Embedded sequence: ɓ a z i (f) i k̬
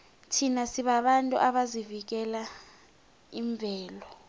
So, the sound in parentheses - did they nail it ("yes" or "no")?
no